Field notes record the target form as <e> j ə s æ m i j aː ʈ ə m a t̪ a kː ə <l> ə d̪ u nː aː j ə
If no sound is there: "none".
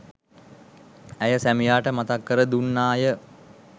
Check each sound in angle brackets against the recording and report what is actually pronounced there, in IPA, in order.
æ, ɾ

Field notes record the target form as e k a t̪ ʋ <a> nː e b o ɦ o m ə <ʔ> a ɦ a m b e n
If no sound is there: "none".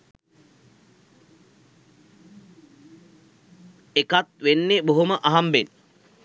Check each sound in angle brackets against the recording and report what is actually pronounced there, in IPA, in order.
e, ʔ

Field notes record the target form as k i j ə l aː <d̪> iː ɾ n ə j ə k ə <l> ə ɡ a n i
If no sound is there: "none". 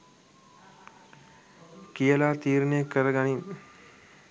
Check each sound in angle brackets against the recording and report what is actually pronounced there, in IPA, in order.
t̪, ɾ

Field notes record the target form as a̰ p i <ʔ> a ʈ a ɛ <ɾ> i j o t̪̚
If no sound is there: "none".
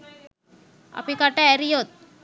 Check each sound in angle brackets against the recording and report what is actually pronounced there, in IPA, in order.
k, ɾ

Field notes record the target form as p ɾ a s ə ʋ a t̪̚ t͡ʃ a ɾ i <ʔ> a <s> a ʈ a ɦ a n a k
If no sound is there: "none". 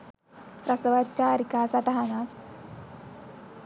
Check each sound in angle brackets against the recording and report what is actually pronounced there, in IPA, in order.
k, s

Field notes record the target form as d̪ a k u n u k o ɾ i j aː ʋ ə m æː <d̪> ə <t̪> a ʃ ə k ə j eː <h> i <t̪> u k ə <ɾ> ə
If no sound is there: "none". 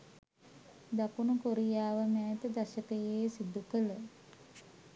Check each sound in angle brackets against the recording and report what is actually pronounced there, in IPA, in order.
t̪, d̪, s, d̪, l

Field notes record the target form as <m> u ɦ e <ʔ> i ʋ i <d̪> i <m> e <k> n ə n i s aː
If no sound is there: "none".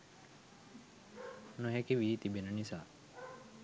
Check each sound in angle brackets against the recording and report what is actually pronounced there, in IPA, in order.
n, k, t̪, b, none

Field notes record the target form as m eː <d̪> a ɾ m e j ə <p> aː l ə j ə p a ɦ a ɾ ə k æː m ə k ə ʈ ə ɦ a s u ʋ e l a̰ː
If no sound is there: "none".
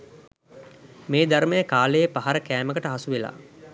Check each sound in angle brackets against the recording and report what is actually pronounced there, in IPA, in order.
d̪, k

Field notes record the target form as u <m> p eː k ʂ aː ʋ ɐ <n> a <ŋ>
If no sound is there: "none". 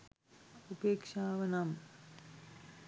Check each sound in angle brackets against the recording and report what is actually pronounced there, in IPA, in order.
none, n, m

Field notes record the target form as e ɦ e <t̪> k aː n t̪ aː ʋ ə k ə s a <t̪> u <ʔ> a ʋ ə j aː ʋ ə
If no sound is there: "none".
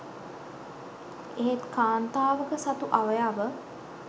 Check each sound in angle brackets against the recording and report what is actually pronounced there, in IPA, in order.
t̪, t̪, ʔ

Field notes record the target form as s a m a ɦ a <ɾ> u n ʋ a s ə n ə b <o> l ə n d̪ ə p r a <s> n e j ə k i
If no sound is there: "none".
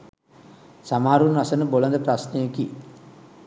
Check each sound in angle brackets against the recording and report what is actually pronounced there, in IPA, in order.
ɾ, o, s

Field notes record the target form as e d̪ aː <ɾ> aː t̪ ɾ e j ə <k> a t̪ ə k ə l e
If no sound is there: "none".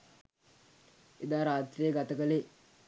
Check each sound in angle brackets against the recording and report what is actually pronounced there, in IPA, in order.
ɾ, ɡ

